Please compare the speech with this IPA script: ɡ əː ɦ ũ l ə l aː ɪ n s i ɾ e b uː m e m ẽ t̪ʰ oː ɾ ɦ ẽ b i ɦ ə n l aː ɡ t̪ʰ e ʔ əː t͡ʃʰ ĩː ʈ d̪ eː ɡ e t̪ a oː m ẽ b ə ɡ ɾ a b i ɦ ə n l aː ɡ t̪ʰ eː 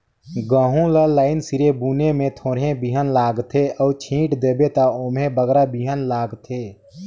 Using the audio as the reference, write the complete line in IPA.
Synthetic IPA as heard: ɡ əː ɦ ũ l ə l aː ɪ n s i ɾ e b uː n e m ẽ t̪ʰ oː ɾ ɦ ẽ b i ɦ ə n l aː ɡ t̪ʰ e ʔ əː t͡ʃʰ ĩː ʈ d̪ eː b e t̪ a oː m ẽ b ə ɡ ɾ a b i ɦ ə n l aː ɡ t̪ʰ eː